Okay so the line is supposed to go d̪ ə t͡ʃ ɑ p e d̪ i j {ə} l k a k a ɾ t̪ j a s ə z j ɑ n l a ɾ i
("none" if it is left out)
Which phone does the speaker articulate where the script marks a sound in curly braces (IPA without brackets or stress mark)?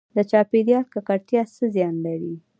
ɑ